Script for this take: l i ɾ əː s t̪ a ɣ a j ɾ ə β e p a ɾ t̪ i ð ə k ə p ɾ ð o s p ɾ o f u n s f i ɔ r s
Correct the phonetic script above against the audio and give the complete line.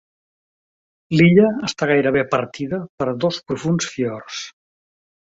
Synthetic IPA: l i ʎ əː s t̪ a ɣ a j ɾ ə β e p ə ɾ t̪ i ð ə p ə ɾ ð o s p ɾ u f u n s f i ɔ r s